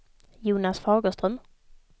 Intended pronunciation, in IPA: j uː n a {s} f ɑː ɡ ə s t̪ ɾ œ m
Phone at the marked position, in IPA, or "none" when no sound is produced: s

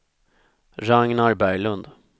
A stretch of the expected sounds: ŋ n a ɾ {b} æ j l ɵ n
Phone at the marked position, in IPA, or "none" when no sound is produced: b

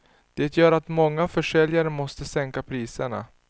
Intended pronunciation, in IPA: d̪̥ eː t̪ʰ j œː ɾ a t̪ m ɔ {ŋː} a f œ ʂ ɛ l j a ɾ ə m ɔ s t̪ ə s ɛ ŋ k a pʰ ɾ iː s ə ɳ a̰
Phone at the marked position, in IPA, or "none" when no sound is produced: ŋː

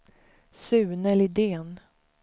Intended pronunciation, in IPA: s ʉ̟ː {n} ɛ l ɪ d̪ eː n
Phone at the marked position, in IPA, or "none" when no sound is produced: n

